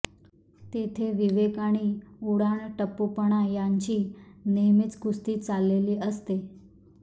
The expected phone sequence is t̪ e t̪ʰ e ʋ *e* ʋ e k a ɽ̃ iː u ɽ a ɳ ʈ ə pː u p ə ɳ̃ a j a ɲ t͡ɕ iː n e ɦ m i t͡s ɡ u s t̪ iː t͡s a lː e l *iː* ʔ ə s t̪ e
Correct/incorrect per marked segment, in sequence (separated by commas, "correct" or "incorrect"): incorrect, correct